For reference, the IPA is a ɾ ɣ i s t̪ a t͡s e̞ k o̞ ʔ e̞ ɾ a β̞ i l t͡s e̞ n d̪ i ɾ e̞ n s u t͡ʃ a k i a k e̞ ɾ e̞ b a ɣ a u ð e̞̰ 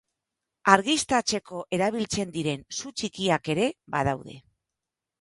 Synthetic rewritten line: a ɾ ɣ i s t̪ a t͡s e̞ k o̞ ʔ e̞ ɾ a β̞ i l t͡s e̞ n d̪ i ɾ e̞ n s u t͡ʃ i k i a k e̞ ɾ e̞ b a ð a w ð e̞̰